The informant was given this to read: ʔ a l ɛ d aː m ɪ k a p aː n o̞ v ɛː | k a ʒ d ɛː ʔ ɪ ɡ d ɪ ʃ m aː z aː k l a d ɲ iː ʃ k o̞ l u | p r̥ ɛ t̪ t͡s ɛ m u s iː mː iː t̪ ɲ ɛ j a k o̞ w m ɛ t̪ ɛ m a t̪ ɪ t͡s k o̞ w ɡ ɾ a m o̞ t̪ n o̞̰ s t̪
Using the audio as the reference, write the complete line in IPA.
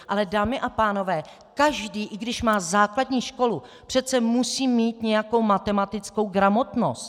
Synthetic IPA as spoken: ʔ a l ɛ d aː m ɪ ʔ a p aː n o̞ v ɛː | k a ʒ d iː ʔ ɪ ɡ d ɪ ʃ m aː z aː k l a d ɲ iː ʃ k o̞ l u | p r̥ ɛ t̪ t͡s ɛ m u s iː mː iː t̪ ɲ ɛ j a k o̞ w m a t̪ ɛ m a t̪ ɪ t͡s k o̞ w ɡ ɾ a m o̞ t̪ n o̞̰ s t̪